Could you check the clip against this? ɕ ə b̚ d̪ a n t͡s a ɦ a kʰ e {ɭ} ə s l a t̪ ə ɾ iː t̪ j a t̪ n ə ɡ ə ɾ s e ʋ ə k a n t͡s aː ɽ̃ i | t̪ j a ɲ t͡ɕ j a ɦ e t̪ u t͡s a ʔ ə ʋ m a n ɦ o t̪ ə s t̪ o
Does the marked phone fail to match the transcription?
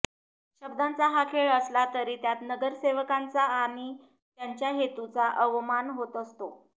no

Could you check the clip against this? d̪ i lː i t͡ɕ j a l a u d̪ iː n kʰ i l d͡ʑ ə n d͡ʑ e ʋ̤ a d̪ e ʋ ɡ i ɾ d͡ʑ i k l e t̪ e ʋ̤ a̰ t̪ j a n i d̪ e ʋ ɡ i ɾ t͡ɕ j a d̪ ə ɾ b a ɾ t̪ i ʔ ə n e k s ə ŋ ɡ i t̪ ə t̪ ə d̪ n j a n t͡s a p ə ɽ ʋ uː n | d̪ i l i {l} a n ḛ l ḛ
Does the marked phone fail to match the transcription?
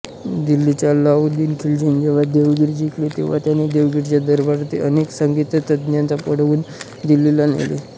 no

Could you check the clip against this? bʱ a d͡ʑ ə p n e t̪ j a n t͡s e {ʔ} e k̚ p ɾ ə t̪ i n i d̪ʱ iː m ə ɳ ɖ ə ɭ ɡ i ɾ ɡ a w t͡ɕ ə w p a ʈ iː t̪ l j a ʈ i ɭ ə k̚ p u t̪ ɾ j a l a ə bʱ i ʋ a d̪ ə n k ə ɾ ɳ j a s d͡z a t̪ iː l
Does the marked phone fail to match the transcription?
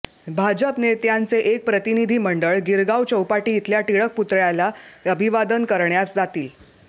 no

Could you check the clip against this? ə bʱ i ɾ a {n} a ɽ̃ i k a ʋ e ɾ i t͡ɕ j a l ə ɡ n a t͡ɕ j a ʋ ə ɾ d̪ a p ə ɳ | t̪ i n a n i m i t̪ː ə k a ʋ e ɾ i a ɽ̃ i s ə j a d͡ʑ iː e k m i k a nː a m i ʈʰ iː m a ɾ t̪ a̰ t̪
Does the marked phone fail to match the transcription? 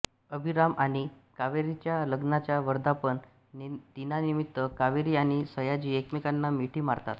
yes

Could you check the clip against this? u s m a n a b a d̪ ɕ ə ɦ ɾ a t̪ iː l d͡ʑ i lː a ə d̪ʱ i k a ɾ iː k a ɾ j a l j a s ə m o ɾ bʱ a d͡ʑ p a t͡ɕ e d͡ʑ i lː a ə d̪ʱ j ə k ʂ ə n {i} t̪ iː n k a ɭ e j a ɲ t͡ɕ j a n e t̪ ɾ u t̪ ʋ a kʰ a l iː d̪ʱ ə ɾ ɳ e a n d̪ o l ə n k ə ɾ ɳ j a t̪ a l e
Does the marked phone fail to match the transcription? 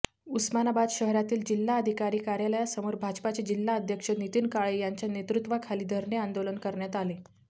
no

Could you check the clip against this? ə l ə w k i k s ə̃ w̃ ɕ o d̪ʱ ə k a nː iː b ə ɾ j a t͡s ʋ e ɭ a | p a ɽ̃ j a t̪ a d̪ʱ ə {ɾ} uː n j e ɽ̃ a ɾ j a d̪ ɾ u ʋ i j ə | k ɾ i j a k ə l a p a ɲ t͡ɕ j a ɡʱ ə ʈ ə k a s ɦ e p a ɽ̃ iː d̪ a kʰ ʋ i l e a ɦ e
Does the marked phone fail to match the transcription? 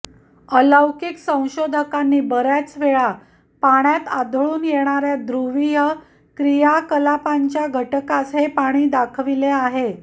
yes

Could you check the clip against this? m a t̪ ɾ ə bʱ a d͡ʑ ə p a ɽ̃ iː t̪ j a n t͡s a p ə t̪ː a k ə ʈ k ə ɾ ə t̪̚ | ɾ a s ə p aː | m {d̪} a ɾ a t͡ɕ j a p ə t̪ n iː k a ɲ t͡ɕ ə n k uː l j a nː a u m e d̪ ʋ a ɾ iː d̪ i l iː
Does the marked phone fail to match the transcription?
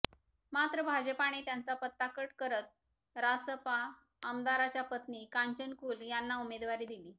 no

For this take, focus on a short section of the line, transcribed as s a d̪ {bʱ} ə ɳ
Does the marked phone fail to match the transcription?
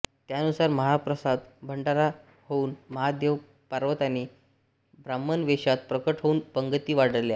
no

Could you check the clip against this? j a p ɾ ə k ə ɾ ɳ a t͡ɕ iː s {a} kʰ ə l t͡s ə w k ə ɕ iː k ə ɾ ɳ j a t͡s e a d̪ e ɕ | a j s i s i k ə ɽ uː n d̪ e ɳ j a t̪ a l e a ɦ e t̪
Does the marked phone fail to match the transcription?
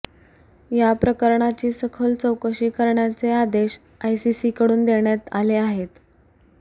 yes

